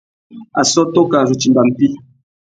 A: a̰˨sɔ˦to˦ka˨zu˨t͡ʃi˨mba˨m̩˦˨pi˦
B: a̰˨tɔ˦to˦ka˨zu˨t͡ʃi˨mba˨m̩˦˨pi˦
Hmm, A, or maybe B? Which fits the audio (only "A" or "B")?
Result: A